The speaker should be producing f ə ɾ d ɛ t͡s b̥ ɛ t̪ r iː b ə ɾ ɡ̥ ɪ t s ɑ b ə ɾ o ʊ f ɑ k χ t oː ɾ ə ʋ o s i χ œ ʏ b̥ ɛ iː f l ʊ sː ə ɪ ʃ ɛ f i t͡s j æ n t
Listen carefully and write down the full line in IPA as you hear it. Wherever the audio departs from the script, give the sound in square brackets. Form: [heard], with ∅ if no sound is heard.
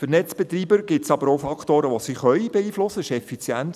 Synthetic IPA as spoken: f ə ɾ [n] ɛ t͡s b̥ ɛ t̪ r iː b ə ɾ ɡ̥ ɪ t s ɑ b ə ɾ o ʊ f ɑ k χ t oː ɾ ə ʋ o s i χ œ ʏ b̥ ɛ iː f l ʊ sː ə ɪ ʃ ɛ f i t͡s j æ n t

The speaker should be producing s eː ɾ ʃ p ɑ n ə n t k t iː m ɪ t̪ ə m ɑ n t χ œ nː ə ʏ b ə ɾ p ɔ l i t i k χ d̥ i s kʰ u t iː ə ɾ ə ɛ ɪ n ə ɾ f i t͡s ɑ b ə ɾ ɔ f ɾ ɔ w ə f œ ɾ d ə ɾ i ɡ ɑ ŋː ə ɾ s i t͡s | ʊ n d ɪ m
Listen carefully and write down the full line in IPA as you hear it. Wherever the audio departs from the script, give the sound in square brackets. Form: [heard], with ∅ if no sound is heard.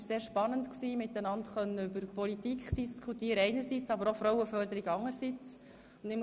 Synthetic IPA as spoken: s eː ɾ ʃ p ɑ n ə n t k [s] iː m ɪ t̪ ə [n] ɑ n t χ œ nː ə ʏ b ə ɾ p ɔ l i t i k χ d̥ i s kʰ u t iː ə ɾ ə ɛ ɪ n ə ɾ [s] i t͡s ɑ b ə ɾ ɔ f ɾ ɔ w ə f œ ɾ d ə ɾ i ɡ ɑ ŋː ə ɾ s i t͡s | ʊ n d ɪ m

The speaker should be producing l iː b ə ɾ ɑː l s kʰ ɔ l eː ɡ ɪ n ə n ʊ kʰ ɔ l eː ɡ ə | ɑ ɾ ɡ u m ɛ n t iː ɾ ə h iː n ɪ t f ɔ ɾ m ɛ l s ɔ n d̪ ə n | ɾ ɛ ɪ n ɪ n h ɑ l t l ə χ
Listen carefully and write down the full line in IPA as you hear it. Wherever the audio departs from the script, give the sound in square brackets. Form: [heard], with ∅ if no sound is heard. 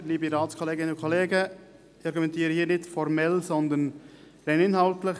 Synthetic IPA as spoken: l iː b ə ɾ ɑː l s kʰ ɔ l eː ɡ ɪ n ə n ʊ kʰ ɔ l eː ɡ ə | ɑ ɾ ɡ u m ɛ n t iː ɾ ə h iː n ɪ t f ɔ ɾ m ɛ l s ɔ n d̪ ə n | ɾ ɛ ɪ n ɪ n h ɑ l t l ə χ

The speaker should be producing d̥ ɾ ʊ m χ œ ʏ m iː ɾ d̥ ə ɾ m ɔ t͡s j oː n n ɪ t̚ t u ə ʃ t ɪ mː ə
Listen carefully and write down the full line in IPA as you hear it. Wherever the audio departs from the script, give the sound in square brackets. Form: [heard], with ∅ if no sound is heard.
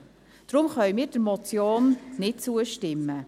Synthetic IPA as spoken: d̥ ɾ ʊ m χ œ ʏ m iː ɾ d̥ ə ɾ m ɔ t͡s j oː n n ɪ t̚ [t͡s] u ə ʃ t ɪ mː ə

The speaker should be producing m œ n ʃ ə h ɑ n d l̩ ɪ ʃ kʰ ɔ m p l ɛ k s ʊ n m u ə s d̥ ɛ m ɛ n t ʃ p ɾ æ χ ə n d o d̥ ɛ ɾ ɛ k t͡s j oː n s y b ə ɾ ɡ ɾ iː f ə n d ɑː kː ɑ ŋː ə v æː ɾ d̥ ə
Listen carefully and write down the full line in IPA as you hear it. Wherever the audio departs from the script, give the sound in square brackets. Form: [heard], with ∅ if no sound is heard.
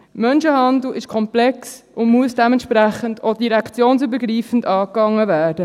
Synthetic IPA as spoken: m œ n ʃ ə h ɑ n d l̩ ɪ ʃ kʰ ɔ m p l ɛ k s ʊ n m u ə s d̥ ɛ m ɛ n t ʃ p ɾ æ χ ə n d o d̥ [i] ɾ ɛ k t͡s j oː n s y b ə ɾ ɡ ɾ iː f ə n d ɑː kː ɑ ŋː ə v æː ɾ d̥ ə

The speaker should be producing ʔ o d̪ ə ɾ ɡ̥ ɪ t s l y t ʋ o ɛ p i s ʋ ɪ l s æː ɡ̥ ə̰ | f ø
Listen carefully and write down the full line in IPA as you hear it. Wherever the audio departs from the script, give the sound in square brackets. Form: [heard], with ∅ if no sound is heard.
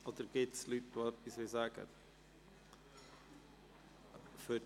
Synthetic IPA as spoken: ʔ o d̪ ə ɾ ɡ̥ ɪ t s l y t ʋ o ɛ p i s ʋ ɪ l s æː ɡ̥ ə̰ | f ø

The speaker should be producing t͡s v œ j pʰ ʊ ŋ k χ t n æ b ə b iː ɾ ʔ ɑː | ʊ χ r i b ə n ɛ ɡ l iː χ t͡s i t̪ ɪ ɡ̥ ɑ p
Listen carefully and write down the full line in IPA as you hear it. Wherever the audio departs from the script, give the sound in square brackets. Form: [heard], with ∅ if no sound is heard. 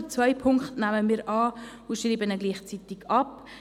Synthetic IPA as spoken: t͡s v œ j pʰ ʊ ŋ k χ t n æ [m] ə [m] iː ɾ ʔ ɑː | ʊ [ʃ] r [iː] b ə n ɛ ɡ l iː χ t͡s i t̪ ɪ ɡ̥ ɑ p

